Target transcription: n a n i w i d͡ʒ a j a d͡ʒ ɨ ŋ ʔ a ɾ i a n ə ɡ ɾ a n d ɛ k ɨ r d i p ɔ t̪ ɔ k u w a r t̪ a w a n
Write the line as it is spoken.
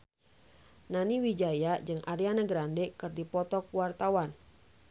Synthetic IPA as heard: n a n i w i d͡ʒ a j a d͡ʒ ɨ ŋ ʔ a ɾ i a n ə ɡ ɾ a n d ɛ k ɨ r d i p ɔ t̪ ɔ k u w a r t̪ a w a n